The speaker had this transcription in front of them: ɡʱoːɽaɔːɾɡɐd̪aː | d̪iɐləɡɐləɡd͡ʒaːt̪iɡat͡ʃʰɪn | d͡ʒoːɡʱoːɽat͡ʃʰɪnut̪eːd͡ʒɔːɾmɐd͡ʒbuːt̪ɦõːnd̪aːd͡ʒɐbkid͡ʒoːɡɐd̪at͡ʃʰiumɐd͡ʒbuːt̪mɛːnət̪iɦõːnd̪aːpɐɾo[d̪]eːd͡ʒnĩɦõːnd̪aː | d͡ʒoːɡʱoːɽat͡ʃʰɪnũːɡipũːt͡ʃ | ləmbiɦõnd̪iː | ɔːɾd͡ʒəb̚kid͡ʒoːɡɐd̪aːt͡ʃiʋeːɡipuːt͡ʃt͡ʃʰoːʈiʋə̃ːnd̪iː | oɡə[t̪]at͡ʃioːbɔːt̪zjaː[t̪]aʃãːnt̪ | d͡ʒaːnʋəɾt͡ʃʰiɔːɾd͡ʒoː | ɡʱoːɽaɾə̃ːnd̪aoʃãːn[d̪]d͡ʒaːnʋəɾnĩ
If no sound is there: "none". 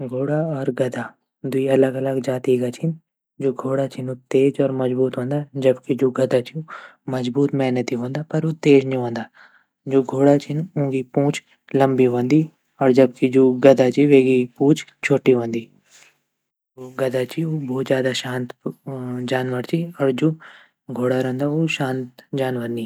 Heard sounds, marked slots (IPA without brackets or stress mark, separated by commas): t̪, d̪, d̪, t̪